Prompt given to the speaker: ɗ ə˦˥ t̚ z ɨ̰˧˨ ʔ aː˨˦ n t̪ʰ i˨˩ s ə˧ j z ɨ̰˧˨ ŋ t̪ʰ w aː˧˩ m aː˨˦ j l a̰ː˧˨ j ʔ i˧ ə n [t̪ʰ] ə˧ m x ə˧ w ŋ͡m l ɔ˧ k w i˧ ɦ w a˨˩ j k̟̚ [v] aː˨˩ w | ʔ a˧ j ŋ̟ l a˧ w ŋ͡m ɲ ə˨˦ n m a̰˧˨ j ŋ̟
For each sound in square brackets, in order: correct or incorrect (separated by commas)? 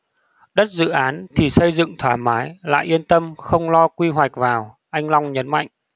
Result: incorrect, correct